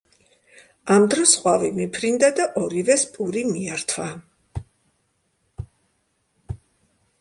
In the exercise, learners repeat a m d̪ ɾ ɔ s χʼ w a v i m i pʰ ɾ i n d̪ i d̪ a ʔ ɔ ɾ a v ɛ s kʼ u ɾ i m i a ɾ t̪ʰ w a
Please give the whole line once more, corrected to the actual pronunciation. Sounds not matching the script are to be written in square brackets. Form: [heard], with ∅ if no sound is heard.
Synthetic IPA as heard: a m d̪ ɾ ɔ s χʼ w a v i m i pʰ ɾ i n d̪ [a] d̪ a ʔ ɔ ɾ [i] v ɛ s [pʼ] u ɾ i m i a ɾ t̪ʰ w a